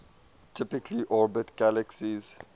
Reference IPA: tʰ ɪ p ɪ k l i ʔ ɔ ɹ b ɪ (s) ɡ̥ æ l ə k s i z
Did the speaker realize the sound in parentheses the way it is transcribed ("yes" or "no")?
no